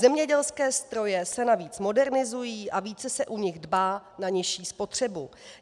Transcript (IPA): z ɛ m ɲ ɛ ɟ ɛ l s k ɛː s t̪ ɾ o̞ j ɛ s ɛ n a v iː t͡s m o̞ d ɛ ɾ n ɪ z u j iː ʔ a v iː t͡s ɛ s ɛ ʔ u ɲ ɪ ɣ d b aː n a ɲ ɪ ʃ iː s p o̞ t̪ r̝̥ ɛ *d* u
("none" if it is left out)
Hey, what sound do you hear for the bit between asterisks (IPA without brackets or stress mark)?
b